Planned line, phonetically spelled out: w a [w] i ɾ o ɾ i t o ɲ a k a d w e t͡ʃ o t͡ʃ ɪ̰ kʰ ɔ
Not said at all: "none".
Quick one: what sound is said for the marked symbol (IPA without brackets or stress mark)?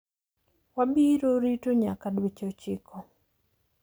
b